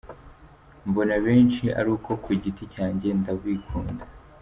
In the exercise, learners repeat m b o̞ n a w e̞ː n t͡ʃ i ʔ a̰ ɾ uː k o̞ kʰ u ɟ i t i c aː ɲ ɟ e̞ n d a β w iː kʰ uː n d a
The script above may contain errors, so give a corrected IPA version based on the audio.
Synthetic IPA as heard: m b o̞ n a β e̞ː n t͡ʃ i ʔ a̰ ɾ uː k o̞ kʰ u ɟ i t i c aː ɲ ɟ e̞ n d a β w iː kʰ uː n d a